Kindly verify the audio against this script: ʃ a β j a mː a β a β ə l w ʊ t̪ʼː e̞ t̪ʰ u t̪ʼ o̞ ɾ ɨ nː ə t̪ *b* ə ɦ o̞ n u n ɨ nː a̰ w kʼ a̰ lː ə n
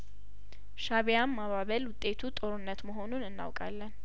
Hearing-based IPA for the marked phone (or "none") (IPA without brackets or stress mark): m